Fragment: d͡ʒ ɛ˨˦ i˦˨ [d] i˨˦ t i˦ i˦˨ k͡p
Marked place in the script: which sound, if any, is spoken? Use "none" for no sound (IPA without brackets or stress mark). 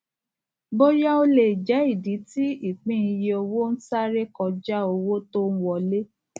d